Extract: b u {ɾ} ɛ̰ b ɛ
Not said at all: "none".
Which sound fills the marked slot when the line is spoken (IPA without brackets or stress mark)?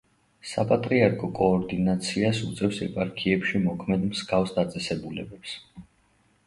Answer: l